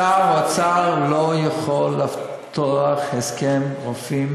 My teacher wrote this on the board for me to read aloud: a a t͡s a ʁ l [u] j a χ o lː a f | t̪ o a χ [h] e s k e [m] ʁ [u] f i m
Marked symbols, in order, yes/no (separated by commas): no, yes, yes, no